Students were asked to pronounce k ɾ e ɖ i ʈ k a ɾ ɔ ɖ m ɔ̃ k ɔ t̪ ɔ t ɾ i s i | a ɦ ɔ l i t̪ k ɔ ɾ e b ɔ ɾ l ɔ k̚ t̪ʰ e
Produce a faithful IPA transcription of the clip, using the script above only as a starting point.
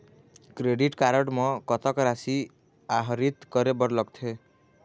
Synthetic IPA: k ɾ e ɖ i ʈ k a ɾ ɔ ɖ m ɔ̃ k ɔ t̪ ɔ k ɾ a s i | a ɦ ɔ ɾ i t̪ k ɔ ɾ e b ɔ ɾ l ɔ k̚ t̪ʰ e

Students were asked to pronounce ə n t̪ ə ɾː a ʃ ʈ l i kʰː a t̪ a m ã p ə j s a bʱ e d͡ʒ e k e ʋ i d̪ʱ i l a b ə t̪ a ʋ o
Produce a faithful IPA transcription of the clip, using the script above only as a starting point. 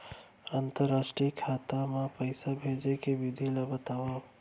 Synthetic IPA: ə n t̪ ə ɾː a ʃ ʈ ɾ i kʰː a t̪ a m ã p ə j s a bʱ e d͡ʒ e k e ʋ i d̪ʱ i l a b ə t̪ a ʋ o

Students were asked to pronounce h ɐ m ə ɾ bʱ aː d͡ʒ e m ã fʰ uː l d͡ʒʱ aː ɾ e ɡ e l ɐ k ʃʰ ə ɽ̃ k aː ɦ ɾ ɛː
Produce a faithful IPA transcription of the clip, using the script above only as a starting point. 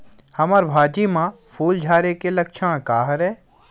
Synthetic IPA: h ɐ m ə ɾ bʱ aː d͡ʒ i m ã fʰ uː l d͡ʒʱ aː ɾ e k e l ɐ k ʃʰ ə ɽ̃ k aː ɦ ɾ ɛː

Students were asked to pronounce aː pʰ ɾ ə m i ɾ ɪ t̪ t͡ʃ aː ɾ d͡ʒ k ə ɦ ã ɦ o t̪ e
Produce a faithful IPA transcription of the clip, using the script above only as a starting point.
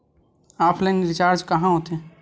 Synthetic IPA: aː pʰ l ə n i ɾ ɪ t͡ʃ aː ɾ d͡ʒ k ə ɦ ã ɦ o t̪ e

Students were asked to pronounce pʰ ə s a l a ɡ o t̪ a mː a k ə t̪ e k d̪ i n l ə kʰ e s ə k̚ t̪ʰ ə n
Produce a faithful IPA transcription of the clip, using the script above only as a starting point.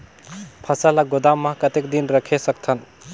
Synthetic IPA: pʰ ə s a l a ɡ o d̪ a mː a k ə t̪ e k d̪ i n ɾ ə kʰ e s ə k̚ t̪ʰ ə n

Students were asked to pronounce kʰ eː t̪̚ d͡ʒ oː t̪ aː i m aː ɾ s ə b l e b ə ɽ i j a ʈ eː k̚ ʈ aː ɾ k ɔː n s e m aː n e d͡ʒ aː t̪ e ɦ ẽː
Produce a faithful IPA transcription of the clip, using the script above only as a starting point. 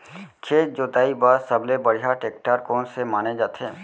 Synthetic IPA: kʰ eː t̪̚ d͡ʒ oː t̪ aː i b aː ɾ s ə b l e b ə ɽ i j a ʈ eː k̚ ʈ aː ɾ k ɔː n s e m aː n e d͡ʒ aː t̪ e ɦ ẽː

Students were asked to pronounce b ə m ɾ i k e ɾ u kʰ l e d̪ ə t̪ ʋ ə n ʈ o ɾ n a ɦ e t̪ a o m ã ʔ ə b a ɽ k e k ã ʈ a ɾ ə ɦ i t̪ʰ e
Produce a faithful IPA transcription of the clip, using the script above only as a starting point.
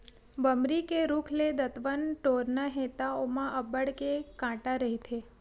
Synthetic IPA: b ə m ɾ i k e ɾ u kʰ l e d̪ ə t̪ ʋ ə n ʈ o ɾ n a ɦ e t̪ a o m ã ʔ ə b ə ɽ k e k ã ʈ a ɾ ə ɦ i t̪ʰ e

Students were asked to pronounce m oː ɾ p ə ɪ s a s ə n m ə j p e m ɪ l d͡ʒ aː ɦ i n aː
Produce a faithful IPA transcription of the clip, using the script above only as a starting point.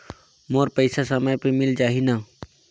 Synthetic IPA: m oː ɾ p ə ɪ s a s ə m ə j p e m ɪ l d͡ʒ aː ɦ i n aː

